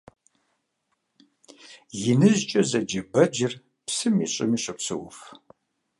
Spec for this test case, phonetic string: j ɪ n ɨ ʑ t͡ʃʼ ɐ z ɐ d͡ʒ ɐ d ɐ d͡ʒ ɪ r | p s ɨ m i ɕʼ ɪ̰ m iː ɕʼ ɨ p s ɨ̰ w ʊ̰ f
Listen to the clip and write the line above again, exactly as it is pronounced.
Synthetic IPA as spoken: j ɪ n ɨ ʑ t͡ʃʼ ɐ z ɐ d͡ʒ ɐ b ɐ d͡ʒ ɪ r | p s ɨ m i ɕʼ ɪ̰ m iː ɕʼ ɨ p s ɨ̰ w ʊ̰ f